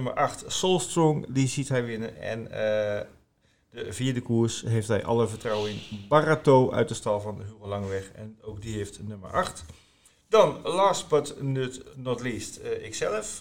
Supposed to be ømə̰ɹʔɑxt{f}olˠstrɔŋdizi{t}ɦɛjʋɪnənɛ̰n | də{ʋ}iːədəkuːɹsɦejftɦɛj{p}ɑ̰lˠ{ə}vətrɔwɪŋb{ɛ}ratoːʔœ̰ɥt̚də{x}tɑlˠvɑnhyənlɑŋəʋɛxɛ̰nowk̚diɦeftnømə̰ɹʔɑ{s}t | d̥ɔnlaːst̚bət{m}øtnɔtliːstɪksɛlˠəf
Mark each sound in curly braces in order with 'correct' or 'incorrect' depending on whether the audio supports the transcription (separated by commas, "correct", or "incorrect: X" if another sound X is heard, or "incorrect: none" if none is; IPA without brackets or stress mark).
incorrect: s, correct, incorrect: v, incorrect: ʔ, correct, incorrect: a, incorrect: s, incorrect: x, incorrect: n